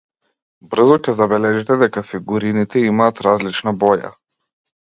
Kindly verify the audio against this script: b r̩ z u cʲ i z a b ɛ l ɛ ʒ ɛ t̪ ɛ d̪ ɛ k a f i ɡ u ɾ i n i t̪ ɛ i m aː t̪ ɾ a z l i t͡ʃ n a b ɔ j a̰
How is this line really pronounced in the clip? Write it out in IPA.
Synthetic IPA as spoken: b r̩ z ɔ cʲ ɛ z a b ɛ l ɛ ʒ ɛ t̪ ɛ d̪ ɛ k a f i ɡ u ɾ i n i t̪ ɛ i m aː t̪ ɾ a z l i t͡ʃ n a b ɔ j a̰